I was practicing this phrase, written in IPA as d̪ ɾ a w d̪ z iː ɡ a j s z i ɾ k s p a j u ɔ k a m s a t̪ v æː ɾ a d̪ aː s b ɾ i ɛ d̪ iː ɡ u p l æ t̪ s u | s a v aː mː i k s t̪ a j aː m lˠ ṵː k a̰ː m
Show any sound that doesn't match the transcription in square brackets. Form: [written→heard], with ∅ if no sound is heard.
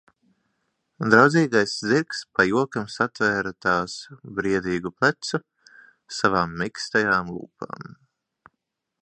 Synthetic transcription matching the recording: d̪ ɾ a w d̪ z iː ɡ a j s z i ɾ k s p a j u ɔ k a m s a t̪ v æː ɾ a [d̪→t̪] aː s b ɾ i ɛ d̪ iː ɡ u p l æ t̪ s u | s a v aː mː i k s t̪ a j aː m lˠ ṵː [k→p] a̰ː m